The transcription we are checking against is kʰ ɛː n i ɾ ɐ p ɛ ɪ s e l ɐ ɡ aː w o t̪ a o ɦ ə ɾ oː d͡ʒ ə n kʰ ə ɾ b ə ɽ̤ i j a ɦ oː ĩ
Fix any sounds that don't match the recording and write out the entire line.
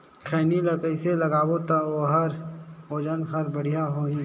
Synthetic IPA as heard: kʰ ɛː n i l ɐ p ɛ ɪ s e l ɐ ɡ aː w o t̪ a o ɦ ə ɾ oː d͡ʒ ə n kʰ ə ɾ b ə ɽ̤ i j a ɦ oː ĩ